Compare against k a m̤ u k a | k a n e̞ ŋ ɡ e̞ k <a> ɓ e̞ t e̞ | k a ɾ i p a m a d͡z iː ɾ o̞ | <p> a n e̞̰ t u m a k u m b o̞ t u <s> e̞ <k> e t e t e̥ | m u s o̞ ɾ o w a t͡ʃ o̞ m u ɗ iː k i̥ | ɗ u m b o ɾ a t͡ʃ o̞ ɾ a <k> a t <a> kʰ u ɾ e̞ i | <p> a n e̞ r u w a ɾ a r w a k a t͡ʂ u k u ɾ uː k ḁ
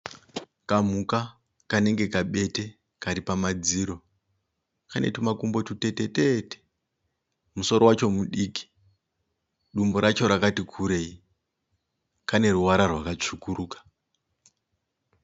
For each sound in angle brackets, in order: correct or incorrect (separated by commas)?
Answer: correct, incorrect, incorrect, incorrect, correct, incorrect, incorrect